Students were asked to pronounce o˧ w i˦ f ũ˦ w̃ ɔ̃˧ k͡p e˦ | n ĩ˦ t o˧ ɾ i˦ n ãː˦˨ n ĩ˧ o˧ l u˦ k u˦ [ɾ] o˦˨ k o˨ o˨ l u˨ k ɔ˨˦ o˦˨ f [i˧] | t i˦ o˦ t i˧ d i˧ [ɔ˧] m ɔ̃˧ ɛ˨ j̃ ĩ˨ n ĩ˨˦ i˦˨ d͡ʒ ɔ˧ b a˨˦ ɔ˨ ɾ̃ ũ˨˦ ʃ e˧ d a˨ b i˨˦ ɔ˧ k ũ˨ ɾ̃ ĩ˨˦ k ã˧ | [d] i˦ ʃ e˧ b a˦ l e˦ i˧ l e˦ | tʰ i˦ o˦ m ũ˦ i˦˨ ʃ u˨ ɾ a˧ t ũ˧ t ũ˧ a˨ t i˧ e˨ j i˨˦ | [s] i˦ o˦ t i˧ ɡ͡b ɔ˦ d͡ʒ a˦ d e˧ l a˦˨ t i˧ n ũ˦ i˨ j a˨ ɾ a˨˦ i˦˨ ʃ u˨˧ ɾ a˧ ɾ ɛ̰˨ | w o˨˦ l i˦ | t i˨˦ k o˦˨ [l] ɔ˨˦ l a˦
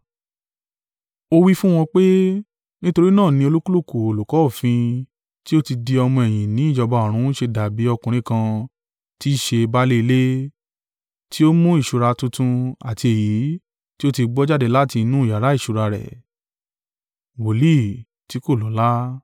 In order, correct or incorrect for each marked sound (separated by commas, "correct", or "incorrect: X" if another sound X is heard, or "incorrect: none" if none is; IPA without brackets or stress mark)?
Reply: incorrect: l, incorrect: ĩ˧, correct, incorrect: t, incorrect: t, correct